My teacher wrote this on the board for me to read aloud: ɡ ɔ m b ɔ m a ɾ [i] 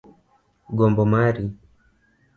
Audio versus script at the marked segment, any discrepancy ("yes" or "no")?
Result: no